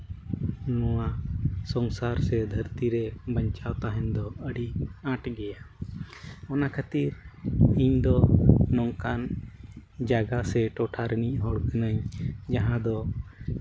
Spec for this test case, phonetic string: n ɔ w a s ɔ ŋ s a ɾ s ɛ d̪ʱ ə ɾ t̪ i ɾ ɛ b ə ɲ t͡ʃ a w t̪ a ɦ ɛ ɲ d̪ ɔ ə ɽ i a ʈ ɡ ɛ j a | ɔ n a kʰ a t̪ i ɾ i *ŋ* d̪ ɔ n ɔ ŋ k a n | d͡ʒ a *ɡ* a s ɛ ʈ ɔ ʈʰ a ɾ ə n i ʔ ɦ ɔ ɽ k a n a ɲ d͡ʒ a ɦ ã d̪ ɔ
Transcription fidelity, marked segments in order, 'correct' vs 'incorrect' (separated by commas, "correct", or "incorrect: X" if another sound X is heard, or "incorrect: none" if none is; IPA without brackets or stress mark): incorrect: ɲ, correct